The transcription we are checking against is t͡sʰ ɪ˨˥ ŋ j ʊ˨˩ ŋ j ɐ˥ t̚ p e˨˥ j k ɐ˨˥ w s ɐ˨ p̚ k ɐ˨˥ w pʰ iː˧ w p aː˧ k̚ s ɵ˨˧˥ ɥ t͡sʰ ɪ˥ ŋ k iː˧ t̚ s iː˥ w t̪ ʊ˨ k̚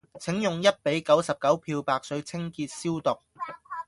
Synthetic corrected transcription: t͡sʰ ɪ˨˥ ŋ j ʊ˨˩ ŋ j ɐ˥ t̚ p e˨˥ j k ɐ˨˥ w s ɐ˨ p̚ k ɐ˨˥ w pʰ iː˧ w p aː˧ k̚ s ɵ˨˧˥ ɥ t͡sʰ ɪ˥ ŋ k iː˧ t̚ s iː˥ w t̪ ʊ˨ k̚